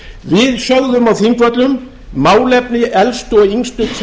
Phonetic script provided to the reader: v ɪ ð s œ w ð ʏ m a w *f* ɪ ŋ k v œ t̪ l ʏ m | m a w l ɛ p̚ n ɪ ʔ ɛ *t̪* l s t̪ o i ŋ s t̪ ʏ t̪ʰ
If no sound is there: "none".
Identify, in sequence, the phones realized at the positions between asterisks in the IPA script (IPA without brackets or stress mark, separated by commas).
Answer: θ, none